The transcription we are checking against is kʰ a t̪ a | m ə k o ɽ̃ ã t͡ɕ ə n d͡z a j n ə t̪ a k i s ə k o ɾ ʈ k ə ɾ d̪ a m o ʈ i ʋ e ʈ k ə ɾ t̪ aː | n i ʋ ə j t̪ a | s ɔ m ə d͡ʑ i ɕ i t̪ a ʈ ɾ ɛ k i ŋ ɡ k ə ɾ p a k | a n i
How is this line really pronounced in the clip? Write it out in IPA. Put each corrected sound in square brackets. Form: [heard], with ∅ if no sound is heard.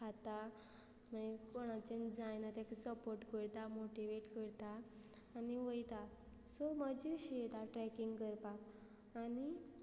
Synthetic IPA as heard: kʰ a t̪ a | m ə k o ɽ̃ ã t͡ɕ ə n d͡z a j n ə t̪ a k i s ə [p] o ɾ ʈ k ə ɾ [t̪] a m o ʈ i ʋ e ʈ k ə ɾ t̪ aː | n i ʋ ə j t̪ a | s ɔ m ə d͡ʑ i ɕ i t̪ a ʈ ɾ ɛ k i ŋ ɡ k ə ɾ p a k | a n i

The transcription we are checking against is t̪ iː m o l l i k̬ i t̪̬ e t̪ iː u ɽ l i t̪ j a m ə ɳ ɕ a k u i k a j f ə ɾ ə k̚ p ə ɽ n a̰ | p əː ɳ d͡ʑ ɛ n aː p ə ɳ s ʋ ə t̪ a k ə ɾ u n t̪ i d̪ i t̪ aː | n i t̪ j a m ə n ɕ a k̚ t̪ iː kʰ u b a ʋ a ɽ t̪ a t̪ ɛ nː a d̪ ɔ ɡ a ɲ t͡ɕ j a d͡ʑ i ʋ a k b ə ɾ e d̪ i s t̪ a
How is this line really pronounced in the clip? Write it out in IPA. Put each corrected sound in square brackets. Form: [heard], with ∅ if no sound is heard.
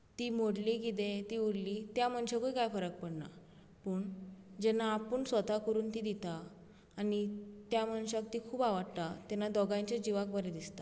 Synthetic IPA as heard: t̪ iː m o [ɽ] l i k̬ i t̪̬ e t̪ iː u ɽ l i t̪ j a m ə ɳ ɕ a k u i k a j f ə ɾ ə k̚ p ə ɽ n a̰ | p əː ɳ d͡ʑ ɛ n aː p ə ɳ s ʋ ə t̪ a k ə ɾ [uː] n t̪ i d̪ i t̪ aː | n i t̪ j a m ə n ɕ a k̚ t̪ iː kʰ [uː] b a ʋ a ɽ t̪ a t̪ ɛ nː a d̪ ɔ ɡ a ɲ t͡ɕ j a d͡ʑ i ʋ a k b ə ɾ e d̪ i s t̪ a

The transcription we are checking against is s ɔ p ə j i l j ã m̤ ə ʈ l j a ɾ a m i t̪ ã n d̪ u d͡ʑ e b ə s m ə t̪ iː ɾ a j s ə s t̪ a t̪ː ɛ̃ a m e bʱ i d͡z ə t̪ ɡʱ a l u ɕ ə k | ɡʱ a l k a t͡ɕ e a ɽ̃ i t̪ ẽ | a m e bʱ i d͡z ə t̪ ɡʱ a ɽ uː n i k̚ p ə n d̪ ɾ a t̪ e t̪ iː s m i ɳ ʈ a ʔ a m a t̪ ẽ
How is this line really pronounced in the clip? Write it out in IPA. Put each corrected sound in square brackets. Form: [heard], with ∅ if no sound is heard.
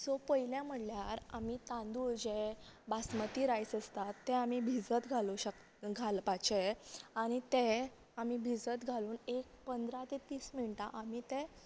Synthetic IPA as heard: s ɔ p ə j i l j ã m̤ ə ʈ l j a ɾ a m i t̪ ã n d̪ u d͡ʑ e b [a] s m ə t̪ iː ɾ a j s ə s t̪ a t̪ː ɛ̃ a m [i] bʱ i d͡z ə t̪ ɡʱ a l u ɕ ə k | ɡʱ a l [p] a t͡ɕ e a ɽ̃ i t̪ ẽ | a m [i] bʱ i d͡z ə t̪ ɡʱ a [l] uː n [e] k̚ p ə n d̪ ɾ a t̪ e t̪ iː s m i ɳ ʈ a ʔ a m [i] t̪ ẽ

